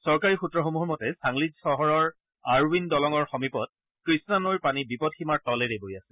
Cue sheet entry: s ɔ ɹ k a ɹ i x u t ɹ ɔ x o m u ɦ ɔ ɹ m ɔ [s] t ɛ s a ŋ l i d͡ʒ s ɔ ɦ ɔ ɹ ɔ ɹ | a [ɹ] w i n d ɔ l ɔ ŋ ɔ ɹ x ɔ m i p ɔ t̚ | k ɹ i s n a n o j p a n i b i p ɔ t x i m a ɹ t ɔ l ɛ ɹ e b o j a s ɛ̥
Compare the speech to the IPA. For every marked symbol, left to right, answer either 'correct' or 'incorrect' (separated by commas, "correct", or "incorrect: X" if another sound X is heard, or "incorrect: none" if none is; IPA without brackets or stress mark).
incorrect: none, correct